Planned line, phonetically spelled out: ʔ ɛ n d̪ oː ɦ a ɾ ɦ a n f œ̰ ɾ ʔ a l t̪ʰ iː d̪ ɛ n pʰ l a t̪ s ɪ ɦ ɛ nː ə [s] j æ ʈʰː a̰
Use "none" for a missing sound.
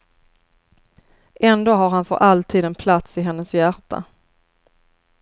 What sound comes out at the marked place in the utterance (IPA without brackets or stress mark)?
s